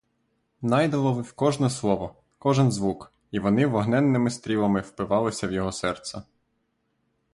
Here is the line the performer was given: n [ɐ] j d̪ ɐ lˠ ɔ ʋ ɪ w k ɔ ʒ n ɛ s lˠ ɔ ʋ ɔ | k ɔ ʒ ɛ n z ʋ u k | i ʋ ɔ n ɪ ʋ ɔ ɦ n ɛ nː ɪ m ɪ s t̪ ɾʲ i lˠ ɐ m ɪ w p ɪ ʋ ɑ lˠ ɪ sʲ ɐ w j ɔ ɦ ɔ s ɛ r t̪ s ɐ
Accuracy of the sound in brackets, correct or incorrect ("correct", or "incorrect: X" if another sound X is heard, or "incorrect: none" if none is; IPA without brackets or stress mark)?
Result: incorrect: ɑ